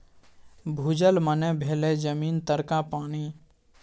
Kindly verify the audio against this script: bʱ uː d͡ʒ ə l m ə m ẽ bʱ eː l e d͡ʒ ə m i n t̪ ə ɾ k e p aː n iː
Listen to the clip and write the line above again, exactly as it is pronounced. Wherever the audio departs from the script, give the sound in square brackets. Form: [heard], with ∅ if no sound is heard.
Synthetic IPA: bʱ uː d͡ʒ ə l m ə [n] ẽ bʱ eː l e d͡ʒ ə m [iː] n t̪ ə ɾ k [a] p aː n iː